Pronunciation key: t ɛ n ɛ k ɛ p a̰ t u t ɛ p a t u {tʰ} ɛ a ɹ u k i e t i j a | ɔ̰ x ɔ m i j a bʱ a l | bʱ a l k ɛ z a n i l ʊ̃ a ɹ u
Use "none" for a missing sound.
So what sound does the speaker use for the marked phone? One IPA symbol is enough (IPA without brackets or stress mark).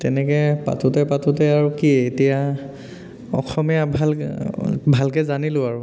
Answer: t